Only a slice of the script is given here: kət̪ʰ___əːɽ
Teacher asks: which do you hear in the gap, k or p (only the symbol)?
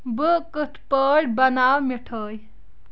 p